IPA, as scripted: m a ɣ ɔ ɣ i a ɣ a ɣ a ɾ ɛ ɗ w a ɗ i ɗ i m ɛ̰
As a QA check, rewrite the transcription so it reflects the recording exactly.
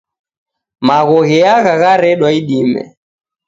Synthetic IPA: m a ɣ ɔ ɣ ɛ a ɣ a ɣ a ɾ ɛ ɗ w a i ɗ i m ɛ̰